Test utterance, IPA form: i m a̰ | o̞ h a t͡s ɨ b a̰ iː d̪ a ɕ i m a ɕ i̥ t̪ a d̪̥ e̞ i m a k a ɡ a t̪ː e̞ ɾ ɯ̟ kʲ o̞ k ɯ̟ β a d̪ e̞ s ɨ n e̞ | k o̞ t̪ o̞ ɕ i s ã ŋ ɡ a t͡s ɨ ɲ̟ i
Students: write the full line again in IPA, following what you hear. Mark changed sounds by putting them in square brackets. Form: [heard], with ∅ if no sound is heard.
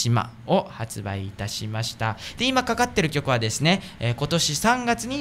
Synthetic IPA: i m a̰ | o̞ h a t͡s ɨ b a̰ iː [t̪] a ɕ i m a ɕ i̥ t̪ a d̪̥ e̞ i m a k a [k] a t̪ː e̞ ɾ ɯ̟ kʲ o̞ k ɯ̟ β a d̪ e̞ s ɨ n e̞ | k o̞ t̪ o̞ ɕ i s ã ŋ ɡ a t͡s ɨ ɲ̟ i